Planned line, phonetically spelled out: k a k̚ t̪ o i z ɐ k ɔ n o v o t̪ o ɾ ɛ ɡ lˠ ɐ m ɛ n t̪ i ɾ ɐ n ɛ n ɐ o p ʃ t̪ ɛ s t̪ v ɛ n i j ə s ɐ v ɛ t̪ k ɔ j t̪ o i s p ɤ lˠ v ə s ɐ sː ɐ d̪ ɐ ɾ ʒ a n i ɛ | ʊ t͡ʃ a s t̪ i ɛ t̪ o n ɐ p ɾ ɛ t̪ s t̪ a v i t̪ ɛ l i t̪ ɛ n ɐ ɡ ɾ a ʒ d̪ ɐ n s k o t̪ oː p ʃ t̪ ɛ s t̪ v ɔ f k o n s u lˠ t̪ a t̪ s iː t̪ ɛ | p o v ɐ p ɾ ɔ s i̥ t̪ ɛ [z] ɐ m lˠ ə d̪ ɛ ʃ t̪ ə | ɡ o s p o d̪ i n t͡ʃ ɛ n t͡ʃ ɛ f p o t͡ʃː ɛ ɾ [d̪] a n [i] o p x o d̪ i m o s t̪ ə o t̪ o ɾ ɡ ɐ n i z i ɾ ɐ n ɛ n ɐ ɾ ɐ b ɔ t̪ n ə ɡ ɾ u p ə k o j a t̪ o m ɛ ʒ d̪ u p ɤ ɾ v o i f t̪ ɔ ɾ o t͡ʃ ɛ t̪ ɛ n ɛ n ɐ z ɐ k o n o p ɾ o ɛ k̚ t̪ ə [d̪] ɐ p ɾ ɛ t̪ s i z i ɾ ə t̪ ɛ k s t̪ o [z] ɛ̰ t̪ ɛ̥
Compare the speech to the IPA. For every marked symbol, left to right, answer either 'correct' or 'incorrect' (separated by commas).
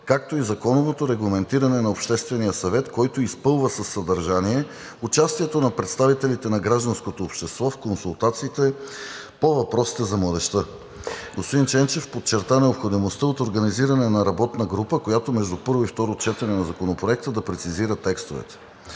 correct, incorrect, incorrect, correct, incorrect